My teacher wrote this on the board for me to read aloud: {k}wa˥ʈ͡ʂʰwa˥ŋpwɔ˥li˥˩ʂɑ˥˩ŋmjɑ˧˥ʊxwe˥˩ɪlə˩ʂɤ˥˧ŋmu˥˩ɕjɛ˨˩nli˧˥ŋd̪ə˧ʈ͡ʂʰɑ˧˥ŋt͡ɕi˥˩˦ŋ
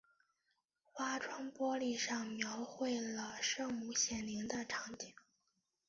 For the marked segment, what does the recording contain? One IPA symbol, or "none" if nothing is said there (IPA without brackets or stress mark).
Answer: x